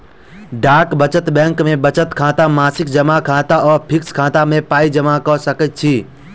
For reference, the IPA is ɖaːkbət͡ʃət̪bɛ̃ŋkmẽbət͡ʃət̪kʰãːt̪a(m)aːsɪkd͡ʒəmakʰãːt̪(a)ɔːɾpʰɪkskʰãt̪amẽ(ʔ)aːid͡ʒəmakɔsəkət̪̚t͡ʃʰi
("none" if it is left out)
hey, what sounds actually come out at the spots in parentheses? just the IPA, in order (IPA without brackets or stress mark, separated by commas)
m, a, p